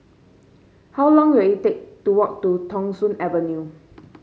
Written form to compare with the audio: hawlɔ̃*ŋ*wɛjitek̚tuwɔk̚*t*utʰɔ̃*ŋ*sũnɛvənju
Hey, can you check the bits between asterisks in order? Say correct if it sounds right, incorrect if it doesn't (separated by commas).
correct, correct, correct